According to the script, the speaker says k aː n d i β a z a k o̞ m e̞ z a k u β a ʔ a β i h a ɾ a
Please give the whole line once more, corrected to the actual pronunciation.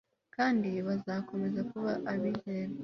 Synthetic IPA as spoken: k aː n d i β a z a k o̞ m e̞ z a k u β a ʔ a β i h e ɾ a